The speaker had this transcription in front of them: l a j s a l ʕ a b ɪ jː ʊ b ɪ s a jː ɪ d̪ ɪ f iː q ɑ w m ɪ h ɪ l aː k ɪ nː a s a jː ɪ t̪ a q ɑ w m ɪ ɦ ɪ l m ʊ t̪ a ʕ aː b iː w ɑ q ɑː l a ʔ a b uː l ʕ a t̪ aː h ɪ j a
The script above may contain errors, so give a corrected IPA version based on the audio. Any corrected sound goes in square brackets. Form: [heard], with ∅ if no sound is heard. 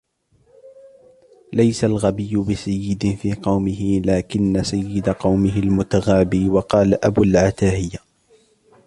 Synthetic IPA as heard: l a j s a l [ɣ] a b ɪ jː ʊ b ɪ s a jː ɪ d̪ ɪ f iː q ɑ w m ɪ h ɪ l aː k ɪ nː a s a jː ɪ [d̪] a q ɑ w m ɪ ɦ ɪ l m ʊ t̪ a [ɣ] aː b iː w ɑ q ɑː l a ʔ a b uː l ʕ a t̪ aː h ɪ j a